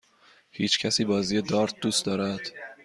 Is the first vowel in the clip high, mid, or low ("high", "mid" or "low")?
high